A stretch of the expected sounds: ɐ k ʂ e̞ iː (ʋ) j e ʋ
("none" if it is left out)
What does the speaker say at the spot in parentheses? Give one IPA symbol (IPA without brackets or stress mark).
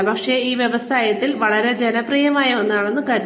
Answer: ʋ